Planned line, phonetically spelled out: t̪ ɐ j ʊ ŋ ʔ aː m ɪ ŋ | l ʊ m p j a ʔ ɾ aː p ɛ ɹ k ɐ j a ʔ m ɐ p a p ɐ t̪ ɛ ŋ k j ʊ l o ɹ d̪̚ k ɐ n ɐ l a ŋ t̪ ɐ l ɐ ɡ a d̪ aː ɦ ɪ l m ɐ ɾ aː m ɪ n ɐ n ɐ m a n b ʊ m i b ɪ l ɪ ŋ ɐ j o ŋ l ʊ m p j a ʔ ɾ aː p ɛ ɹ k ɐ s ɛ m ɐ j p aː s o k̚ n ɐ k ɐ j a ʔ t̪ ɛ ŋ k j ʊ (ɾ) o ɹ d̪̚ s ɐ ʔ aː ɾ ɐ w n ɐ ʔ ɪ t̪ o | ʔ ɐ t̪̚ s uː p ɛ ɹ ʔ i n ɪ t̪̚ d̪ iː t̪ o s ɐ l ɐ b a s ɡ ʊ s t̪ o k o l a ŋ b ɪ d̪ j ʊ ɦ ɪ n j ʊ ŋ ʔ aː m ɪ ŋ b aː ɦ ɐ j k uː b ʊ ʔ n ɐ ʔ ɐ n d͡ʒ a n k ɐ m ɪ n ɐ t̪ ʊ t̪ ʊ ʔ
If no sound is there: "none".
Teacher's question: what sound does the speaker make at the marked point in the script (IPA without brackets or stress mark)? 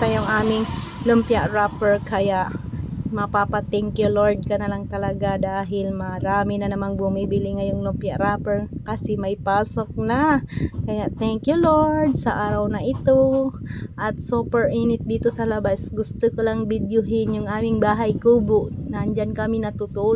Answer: l